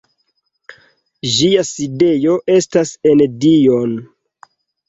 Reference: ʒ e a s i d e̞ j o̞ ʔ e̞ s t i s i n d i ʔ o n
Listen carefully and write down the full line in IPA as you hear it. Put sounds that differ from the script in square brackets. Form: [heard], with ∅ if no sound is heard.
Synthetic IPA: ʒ [i] a s i d e̞ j o̞ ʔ e̞ s t [a] s [e] n d i [∅] o n